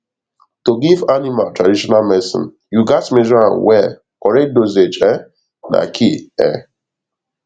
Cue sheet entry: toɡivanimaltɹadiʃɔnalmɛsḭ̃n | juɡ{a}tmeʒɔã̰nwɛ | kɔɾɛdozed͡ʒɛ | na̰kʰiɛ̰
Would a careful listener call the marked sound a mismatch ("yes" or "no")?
no